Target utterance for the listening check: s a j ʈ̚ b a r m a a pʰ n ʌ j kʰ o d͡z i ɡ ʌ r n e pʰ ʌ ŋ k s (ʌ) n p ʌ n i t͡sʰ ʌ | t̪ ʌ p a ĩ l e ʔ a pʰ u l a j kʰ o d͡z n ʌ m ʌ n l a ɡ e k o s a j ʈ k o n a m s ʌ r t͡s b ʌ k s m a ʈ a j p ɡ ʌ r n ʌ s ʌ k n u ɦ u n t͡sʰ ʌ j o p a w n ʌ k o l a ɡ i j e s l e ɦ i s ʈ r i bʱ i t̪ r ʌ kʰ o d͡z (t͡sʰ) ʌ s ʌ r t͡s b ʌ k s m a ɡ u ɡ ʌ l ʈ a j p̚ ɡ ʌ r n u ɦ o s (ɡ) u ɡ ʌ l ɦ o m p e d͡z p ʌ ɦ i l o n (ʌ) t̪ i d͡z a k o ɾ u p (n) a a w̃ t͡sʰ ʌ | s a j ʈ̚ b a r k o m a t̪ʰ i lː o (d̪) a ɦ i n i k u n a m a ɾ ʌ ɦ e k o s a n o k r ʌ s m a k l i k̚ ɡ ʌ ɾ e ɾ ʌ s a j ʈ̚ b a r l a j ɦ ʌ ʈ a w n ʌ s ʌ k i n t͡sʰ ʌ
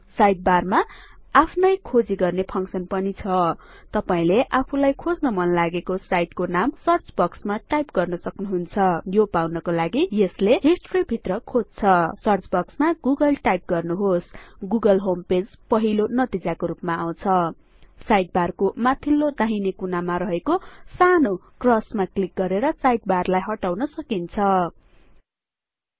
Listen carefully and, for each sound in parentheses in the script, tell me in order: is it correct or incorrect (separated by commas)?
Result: correct, correct, correct, correct, incorrect, correct